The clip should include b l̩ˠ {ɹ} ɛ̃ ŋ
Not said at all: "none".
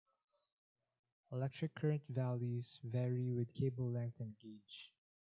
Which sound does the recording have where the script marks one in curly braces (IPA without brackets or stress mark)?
l